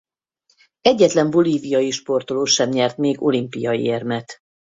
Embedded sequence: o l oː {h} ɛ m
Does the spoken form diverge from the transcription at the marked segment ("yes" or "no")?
yes